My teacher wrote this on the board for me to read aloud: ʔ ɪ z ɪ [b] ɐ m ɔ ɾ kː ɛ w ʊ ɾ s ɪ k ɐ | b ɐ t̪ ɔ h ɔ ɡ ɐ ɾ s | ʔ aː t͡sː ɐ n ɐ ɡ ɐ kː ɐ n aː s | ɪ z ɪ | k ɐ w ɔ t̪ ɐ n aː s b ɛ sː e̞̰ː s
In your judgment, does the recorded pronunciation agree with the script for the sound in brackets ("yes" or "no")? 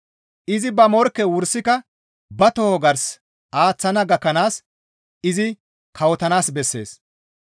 yes